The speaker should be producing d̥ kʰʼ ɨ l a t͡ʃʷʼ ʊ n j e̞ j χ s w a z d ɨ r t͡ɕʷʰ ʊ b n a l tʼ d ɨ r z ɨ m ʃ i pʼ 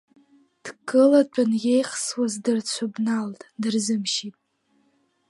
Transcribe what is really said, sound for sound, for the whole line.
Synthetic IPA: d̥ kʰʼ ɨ l a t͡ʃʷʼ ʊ n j e̞ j χ s w a z d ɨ r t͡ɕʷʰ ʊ b n a l tʼ d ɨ r z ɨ m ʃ i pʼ